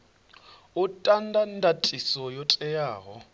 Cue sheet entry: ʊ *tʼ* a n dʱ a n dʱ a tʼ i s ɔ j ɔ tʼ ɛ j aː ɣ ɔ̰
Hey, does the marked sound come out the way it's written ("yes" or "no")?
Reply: yes